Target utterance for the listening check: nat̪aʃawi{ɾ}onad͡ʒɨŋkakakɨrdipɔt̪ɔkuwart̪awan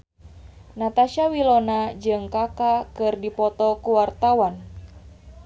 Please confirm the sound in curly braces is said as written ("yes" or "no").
no